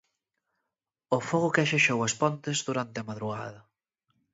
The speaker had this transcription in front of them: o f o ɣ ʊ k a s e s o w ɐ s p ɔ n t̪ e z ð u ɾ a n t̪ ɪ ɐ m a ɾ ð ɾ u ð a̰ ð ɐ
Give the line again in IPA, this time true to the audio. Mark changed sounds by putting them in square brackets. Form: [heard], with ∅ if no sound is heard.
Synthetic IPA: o f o ɣ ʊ k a [ʃ] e [ʃ] o w ɐ s p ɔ n t̪ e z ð u ɾ a n t̪ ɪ ɐ m a [∅] ð ɾ u [ɣ] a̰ ð ɐ